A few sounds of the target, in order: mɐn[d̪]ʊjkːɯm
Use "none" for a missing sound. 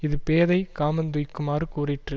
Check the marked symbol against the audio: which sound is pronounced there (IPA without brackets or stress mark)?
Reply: d̪